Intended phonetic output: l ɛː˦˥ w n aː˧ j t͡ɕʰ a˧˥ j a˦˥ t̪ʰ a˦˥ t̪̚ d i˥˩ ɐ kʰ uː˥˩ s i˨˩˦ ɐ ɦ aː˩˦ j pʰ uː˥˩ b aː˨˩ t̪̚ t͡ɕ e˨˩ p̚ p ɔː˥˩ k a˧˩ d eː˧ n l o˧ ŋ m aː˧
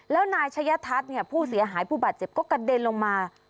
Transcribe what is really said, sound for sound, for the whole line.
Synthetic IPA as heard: l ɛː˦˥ w n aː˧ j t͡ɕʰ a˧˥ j a˦˥ t̪ʰ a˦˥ t̪̚ n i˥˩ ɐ pʰ uː˥˩ s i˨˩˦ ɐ ɦ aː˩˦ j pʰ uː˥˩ b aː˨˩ t̪̚ t͡ɕ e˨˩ p̚ k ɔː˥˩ k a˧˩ d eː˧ n l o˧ ŋ m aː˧